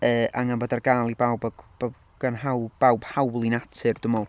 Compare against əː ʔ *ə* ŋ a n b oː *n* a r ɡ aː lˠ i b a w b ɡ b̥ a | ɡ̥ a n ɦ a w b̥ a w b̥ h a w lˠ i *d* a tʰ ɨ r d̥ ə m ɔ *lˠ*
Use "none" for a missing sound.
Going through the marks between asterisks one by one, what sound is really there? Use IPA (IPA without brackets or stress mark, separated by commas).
a, d, n, lˠ